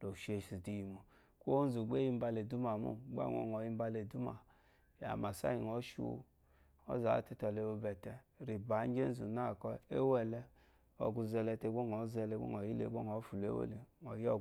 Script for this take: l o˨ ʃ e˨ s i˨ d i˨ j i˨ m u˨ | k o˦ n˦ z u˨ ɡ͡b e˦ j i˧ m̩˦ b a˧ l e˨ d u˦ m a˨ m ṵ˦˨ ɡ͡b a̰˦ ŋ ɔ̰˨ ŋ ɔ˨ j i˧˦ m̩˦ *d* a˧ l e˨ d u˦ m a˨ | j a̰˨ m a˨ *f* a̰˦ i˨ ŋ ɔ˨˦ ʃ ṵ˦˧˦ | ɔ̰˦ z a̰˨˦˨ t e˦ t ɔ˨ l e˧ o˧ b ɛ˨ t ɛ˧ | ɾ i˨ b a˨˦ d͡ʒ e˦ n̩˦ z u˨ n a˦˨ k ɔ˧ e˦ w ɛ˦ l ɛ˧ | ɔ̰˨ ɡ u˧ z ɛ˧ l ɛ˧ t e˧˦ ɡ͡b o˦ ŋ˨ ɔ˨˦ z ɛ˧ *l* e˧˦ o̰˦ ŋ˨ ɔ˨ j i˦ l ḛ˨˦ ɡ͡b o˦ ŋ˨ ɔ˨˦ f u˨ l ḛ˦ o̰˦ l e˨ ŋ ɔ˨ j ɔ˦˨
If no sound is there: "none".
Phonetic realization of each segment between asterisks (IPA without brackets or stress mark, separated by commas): b, s, l